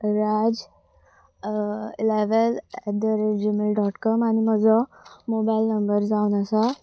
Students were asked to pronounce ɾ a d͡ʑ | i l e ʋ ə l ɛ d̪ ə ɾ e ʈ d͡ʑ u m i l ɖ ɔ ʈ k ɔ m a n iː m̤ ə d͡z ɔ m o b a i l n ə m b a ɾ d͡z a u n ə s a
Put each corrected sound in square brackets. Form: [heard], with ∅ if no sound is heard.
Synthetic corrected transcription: ɾ a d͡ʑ | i l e ʋ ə l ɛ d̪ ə ɾ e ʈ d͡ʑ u m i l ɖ ɔ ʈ k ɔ m a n [i] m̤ ə d͡z ɔ m o b a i l n ə m b [ə] ɾ d͡z a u n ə s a

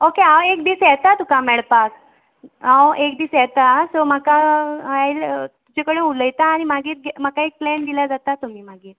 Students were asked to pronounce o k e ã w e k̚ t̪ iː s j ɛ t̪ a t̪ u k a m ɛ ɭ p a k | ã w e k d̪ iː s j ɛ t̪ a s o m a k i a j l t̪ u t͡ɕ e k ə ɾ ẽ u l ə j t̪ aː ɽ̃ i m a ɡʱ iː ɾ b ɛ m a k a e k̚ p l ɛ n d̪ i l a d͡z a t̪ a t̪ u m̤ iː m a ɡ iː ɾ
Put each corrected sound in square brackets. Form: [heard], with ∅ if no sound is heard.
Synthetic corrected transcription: o k e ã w e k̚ [d̪] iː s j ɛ t̪ a t̪ u k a m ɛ ɭ p a k | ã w e k d̪ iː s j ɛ t̪ a s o m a k [a] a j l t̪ u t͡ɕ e k ə [ɽ] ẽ u l ə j t̪ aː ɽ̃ i m a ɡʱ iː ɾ [ɡ] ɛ m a k a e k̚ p l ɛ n d̪ i l a d͡z a t̪ a t̪ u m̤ iː m a ɡ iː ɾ

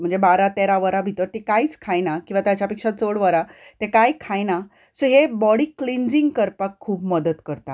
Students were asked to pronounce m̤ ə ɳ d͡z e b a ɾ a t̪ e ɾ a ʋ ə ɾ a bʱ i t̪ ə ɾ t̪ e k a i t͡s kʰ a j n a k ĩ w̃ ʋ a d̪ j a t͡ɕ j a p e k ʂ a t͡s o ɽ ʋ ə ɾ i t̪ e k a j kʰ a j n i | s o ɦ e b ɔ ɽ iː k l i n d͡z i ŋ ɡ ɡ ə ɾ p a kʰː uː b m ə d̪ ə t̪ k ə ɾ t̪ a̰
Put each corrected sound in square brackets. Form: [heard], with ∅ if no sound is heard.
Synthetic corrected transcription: m̤ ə ɳ d͡z e b a ɾ a t̪ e ɾ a ʋ ə ɾ a bʱ i t̪ ə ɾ t̪ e k a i t͡s kʰ a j n a k ĩ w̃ ʋ a [t̪] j a t͡ɕ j a p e k ʂ a t͡s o ɽ ʋ ə ɾ [a] t̪ e k a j kʰ a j n [a] | s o ɦ e b ɔ ɽ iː k l i n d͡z i ŋ ɡ [k] ə ɾ p a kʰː uː b m ə d̪ ə t̪ k ə ɾ t̪ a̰

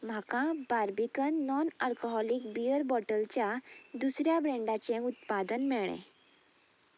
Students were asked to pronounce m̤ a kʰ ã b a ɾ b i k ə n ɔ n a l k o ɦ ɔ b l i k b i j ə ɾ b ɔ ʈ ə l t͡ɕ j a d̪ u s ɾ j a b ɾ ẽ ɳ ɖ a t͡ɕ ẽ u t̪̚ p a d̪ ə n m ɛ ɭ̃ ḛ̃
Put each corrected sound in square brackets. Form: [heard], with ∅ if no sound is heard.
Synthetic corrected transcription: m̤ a [k] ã b a ɾ b i k ə [nː] ɔ n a l k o ɦ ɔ [∅] l i k b i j ə ɾ b ɔ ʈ ə l t͡ɕ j a d̪ u s ɾ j a b ɾ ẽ ɳ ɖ a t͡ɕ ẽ u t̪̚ p a d̪ ə n m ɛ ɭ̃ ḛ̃

